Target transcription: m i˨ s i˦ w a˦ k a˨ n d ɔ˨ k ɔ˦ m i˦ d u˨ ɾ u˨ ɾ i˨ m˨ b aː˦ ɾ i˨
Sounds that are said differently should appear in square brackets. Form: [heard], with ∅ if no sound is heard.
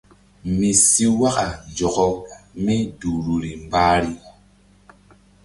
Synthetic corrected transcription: m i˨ s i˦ w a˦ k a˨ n [d͡ʒ] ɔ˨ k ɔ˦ m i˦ d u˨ ɾ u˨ ɾ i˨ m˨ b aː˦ ɾ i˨